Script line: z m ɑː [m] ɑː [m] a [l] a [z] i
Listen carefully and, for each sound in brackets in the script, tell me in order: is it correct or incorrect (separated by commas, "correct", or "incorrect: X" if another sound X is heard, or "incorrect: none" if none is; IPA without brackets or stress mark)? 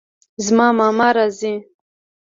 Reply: correct, correct, incorrect: ɾ, correct